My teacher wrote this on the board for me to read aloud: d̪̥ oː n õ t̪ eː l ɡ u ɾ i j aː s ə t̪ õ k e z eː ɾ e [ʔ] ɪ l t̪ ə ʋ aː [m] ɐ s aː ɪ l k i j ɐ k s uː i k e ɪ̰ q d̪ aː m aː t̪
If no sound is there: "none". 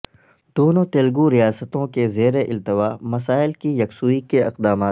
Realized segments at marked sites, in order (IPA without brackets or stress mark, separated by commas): ʔ, m